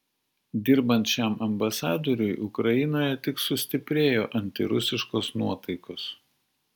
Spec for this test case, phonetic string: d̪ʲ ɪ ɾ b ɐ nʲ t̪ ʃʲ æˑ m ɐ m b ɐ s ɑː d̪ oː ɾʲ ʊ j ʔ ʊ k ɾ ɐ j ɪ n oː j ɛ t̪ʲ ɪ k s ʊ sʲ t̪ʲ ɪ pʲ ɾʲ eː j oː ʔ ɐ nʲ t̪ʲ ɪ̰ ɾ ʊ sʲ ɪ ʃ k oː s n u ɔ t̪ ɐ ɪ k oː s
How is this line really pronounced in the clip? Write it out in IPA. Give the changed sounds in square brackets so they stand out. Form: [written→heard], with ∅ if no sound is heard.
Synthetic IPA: d̪ʲ ɪ ɾ b ɐ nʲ t̪ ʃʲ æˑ m ɐ m b ɐ s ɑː d̪ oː ɾʲ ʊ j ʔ ʊ k ɾ ɐ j ɪ n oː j ɛ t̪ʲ ɪ k s ʊ sʲ t̪ʲ ɪ pʲ ɾʲ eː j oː ʔ ɐ nʲ t̪ʲ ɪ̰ ɾ ʊ sʲ ɪ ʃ k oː s n u ɔ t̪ ɐ ɪ k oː s